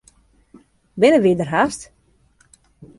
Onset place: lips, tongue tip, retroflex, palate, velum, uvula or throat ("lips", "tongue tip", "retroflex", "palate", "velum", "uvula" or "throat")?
lips